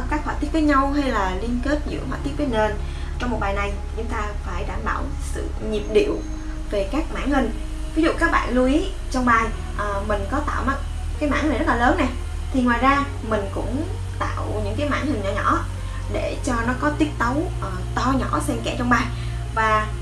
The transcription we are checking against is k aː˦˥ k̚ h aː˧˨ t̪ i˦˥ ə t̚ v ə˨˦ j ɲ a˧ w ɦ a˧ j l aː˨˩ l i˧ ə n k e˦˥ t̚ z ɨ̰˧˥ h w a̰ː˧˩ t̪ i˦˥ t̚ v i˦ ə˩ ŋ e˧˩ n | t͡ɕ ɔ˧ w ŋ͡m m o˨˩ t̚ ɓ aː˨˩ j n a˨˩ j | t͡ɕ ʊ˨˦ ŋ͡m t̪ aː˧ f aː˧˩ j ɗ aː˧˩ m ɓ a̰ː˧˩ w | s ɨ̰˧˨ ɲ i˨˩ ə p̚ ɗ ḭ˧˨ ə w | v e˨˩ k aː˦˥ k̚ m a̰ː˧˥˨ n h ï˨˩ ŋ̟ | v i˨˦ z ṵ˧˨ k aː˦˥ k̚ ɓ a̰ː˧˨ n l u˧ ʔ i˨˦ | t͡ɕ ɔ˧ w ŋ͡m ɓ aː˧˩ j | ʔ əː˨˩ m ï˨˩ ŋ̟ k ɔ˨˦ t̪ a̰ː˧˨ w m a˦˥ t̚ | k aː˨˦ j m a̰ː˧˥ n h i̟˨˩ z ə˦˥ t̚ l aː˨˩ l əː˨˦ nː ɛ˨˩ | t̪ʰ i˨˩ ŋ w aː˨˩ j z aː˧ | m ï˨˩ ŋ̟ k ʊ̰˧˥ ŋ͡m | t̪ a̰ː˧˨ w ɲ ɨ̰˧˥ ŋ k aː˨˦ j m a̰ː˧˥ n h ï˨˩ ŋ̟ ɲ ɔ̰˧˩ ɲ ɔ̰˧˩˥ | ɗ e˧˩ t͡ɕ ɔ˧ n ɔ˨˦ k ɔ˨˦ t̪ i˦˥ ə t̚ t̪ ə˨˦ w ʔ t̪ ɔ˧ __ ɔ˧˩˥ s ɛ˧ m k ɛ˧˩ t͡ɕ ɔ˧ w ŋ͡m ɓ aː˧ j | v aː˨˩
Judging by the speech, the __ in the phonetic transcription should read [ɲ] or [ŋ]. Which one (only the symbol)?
ɲ